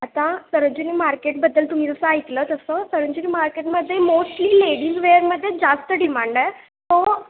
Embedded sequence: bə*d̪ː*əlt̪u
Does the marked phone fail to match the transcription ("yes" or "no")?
no